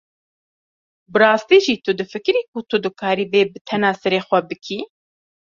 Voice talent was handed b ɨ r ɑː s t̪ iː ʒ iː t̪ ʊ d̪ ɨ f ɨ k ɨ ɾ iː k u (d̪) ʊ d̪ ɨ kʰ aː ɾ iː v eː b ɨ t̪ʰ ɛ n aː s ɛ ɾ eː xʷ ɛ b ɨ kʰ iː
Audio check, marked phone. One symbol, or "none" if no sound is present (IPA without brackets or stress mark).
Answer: t̪